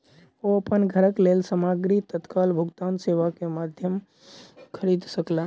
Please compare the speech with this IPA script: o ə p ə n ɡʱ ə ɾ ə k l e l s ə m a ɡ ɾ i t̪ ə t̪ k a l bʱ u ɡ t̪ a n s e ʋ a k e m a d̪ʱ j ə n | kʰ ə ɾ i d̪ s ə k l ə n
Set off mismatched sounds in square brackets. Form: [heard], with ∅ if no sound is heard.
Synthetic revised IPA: o ə p ə n ɡʱ ə ɾ ə k l e l s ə m a ɡ ɾ i t̪ ə t̪ k a l bʱ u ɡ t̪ a n s e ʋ a k e m a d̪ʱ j ə [m] | kʰ ə ɾ i d̪ s ə k l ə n